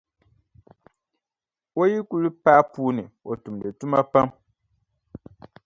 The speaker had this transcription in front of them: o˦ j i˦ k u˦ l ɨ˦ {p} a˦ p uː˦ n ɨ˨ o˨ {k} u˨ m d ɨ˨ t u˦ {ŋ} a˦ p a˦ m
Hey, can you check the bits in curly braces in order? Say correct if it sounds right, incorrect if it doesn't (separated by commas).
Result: correct, incorrect, incorrect